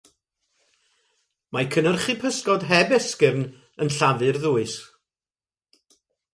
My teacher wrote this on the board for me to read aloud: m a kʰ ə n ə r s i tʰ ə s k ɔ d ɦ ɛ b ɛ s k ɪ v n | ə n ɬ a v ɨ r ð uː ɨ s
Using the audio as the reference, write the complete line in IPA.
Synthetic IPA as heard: m a kʰ ə n ə r χ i pʰ ə s k ɔ d ɦ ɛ b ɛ s k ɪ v n | ə n ɬ a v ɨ r ð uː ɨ s